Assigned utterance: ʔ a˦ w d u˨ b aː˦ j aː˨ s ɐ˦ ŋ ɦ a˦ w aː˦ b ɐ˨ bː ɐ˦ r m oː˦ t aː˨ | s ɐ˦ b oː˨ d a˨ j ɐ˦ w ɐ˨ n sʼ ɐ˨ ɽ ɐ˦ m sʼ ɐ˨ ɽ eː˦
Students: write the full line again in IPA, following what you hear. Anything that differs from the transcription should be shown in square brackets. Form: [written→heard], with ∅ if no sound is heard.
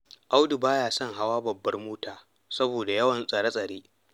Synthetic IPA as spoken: ʔ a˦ w d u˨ b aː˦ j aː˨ s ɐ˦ ŋ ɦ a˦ w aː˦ b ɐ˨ bː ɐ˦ r m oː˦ t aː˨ | s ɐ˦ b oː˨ d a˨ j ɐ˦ w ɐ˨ n sʼ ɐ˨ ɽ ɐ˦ [m→∅] sʼ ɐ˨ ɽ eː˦

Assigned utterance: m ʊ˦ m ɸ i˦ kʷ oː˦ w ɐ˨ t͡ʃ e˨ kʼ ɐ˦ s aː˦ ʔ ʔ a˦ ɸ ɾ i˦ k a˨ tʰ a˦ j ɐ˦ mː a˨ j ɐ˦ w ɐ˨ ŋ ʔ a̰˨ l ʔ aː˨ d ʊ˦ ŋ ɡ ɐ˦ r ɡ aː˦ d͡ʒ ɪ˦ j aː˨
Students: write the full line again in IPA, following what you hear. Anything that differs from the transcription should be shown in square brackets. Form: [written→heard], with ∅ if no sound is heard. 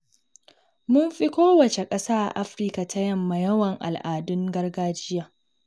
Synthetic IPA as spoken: m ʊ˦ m ɸ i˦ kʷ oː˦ w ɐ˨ t͡ʃ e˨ kʼ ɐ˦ s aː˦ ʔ ʔ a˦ ɸ ɾ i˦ k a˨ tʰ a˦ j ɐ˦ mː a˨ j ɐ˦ w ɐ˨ ŋ ʔ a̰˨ l ʔ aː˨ d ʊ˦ ŋ ɡ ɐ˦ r ɡ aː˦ d͡ʒ ɪ˦ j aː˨

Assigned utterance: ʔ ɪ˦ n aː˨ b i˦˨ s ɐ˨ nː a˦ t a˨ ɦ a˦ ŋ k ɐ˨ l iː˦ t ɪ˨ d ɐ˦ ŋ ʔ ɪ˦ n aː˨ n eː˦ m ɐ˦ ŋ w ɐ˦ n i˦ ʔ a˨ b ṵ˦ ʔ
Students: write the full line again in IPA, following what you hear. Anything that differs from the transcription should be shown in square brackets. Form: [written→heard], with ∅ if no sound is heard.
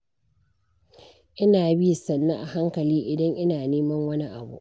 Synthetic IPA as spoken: ʔ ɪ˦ n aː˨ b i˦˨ s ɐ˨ nː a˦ [t→ʔ] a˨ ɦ a˦ ŋ k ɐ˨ l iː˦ [t→ʔ] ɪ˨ d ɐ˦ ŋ ʔ ɪ˦ n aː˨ n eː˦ m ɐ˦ ŋ w ɐ˦ n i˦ ʔ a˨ b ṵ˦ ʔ

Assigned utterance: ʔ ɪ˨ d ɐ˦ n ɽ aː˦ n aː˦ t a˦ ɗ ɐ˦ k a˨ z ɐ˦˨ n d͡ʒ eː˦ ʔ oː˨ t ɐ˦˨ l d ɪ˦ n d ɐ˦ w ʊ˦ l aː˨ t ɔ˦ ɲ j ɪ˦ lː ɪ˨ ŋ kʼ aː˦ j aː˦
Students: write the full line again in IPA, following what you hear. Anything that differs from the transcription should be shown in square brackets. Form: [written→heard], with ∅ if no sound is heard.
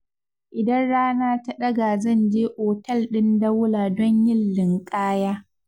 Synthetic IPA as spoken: ʔ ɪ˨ d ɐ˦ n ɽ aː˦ n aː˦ t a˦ ɗ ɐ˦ [k→ɡ] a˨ z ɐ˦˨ n d͡ʒ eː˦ ʔ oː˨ t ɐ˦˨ l [d→ɗ] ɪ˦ n d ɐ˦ w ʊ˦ l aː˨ [t→d] ɔ˦ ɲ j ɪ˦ lː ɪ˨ ŋ kʼ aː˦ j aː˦

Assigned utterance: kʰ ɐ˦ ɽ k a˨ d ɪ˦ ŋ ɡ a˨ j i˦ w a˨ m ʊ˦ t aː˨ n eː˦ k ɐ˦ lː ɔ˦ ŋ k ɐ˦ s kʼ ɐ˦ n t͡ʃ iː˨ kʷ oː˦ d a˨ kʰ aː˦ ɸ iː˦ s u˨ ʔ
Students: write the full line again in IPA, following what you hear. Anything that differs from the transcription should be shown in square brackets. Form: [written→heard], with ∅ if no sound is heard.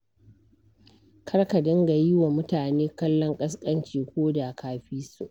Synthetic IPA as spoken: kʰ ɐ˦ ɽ k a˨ d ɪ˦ ŋ ɡ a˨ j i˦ w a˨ m ʊ˦ t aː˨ n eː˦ k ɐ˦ lː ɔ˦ ŋ [k→kʼ] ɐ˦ s kʼ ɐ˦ n t͡ʃ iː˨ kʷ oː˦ d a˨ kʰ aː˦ ɸ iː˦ s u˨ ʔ

